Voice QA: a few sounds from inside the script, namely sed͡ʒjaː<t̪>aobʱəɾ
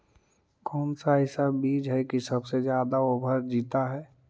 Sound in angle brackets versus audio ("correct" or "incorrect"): incorrect